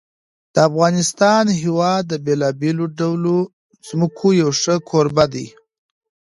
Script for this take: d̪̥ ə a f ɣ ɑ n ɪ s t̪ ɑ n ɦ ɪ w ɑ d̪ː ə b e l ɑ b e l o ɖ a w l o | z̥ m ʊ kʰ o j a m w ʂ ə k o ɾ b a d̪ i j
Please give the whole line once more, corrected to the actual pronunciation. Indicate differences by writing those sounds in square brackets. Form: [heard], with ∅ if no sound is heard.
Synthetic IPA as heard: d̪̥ ə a f ɣ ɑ n ɪ s t̪ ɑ n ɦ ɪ w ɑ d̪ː ə b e l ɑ b e l o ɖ a w l o | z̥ m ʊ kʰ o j a [∅] w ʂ ə [kʰ] o ɾ b a d̪ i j

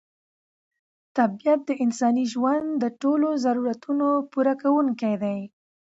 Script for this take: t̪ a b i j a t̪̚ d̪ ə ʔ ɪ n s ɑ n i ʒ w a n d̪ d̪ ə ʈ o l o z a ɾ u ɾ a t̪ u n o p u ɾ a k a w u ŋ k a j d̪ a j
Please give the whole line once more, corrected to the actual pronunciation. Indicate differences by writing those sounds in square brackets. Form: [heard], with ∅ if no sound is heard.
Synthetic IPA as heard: t̪ a b i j a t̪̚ d̪ ə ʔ ɪ n s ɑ n i ʒ w a n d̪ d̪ ə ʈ o l o z a ɾ u ɾ a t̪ u n o p u ɾ a k a w u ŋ k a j d̪ a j

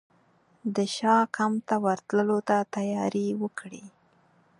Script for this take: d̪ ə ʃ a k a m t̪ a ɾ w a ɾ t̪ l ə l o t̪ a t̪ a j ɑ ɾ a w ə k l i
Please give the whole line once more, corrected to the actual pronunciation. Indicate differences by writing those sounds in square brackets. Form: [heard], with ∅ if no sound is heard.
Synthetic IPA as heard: d̪ ə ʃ [ɑ] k a m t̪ a [∅] w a ɾ t̪ l ə l o t̪ a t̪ a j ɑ ɾ [i] w ə k [ɽ] i

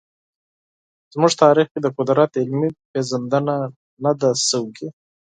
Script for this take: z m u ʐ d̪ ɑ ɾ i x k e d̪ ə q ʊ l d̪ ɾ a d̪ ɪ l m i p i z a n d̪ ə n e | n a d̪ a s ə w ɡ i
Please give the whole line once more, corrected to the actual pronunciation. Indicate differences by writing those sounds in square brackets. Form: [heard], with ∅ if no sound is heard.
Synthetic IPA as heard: z m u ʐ [t̪] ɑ ɾ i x k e d̪ ə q ʊ [∅] d̪ ɾ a [t̪] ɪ l m i p [e] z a n d̪ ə n [a] | n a d̪ a s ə w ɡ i

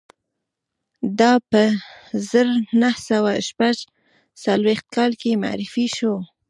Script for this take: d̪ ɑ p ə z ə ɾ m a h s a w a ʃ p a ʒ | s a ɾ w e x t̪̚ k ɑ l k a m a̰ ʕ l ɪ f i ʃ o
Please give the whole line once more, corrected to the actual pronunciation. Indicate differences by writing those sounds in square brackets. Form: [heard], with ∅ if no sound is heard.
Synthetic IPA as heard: d̪ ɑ p ə z ə ɾ [n] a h s a w a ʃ p a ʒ | s a [l] w e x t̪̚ k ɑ l k [e] m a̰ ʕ [ɾ] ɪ f i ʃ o

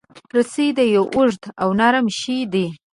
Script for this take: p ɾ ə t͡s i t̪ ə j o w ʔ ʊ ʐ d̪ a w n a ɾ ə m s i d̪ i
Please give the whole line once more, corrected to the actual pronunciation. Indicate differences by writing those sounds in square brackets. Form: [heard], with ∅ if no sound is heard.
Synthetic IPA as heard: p ɾ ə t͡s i [d̪] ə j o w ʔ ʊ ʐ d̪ a w n a ɾ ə m [ʃ] i d̪ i

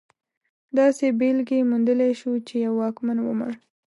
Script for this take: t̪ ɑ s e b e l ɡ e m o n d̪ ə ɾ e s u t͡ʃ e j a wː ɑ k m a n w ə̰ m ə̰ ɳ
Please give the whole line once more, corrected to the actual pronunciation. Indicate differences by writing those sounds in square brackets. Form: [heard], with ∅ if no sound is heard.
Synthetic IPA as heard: [d̪] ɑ s e b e l ɡ e m [u] n d̪ ə [l] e [ʃ] u t͡ʃ e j a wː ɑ k m a n w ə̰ m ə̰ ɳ

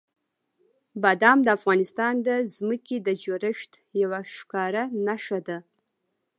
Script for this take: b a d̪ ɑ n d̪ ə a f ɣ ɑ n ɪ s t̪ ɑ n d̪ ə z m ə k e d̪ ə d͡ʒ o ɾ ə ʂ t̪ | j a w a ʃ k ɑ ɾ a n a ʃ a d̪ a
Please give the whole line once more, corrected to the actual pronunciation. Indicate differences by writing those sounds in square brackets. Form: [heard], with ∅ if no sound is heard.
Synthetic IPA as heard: b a d̪ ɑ [m] d̪ ə a f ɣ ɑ n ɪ s t̪ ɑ n d̪ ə z m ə k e d̪ ə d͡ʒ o ɾ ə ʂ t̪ | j a w a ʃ k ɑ ɾ a n a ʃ a d̪ a

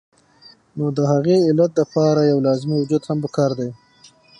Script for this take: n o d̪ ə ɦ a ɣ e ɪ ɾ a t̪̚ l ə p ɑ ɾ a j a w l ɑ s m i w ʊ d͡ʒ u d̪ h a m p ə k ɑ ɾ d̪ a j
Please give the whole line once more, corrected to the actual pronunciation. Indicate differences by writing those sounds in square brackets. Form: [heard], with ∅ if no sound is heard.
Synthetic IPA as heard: n o d̪ ə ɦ a ɣ e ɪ [l] a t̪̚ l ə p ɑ ɾ a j a w l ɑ [z] m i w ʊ d͡ʒ u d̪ h a m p ə k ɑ ɾ d̪ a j

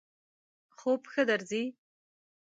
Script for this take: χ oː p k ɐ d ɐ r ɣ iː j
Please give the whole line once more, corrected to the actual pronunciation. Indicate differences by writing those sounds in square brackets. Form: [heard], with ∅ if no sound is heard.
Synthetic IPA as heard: χ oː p [x] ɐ d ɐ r [z] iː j

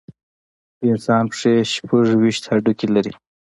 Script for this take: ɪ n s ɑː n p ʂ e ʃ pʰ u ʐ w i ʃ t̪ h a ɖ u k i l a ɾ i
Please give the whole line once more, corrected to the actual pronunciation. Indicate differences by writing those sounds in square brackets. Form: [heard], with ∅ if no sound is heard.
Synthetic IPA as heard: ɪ n s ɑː n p ʂ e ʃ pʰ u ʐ w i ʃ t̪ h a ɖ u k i l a ɾ i

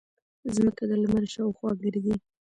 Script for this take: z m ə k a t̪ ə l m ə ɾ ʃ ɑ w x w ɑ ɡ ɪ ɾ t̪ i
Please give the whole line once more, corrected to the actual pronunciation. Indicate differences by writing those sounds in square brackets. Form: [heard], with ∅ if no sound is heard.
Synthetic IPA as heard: z m ə k a [d̪] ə l m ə ɾ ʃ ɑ w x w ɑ ɡ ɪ ɾ [d̪] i

